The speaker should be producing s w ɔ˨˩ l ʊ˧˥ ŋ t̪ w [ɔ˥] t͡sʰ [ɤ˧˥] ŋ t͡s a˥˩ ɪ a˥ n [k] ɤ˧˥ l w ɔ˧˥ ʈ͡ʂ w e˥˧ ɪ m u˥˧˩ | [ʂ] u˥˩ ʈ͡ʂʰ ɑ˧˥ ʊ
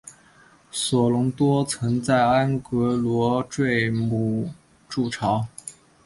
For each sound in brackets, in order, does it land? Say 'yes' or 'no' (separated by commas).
yes, yes, yes, no